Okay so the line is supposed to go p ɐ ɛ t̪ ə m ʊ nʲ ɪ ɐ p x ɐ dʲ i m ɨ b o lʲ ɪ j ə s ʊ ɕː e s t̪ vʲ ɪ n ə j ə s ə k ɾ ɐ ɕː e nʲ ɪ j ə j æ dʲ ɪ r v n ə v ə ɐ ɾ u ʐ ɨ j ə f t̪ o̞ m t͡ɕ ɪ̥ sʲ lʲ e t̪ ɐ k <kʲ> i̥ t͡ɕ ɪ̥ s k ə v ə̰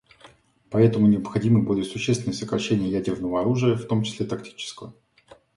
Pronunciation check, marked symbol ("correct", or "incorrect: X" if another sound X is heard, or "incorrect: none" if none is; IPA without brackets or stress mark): incorrect: tʲ